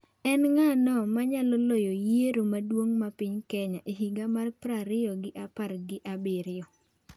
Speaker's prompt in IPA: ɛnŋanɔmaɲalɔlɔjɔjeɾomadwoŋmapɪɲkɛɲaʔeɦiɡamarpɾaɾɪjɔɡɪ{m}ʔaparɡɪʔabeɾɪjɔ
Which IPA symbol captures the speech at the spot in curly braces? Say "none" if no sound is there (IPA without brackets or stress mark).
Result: none